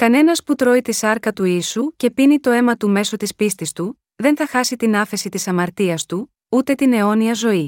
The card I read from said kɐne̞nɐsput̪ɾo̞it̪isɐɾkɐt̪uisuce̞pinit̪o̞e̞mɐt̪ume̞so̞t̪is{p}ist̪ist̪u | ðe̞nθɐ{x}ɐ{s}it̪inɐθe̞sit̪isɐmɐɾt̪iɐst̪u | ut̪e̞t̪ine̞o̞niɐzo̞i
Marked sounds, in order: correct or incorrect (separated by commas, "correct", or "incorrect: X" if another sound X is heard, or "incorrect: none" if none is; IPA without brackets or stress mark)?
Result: correct, correct, correct